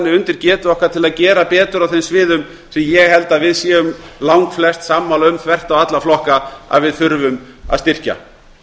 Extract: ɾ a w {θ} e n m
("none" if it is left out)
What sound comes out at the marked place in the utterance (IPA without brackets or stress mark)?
θ